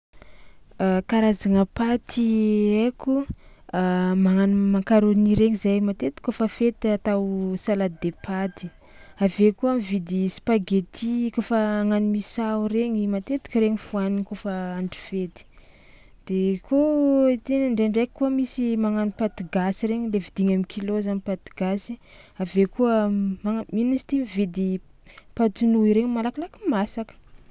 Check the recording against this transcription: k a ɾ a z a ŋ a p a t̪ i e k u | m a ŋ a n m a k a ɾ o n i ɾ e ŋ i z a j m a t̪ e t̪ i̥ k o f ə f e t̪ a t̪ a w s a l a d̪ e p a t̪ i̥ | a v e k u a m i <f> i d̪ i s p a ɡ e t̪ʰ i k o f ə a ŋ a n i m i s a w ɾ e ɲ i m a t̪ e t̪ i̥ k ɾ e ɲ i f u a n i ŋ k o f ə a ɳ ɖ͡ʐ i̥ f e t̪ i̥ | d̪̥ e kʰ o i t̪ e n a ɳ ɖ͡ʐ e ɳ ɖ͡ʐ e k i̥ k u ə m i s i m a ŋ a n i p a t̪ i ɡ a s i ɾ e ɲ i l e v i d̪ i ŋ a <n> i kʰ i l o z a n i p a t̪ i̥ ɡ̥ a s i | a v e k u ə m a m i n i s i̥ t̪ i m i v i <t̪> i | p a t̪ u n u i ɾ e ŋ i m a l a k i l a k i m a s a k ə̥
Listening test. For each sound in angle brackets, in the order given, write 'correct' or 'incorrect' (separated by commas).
incorrect, incorrect, incorrect